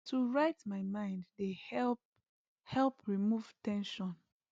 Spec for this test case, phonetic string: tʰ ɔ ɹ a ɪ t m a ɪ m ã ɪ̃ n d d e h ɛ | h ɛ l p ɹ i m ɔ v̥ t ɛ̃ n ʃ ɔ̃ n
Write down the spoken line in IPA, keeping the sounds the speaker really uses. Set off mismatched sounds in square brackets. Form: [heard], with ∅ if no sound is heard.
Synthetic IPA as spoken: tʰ [u] ɹ a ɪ t m a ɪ m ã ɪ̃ n d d e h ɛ | h ɛ l p ɹ i m [u] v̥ t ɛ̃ n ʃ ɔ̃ n